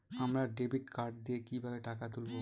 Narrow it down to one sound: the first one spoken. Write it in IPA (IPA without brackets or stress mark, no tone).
a